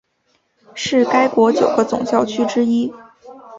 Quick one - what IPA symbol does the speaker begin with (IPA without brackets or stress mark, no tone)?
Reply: ʂ